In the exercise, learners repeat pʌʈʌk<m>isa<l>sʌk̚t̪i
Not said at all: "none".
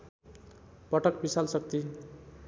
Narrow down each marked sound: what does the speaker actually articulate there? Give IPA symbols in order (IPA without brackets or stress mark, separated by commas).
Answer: b, l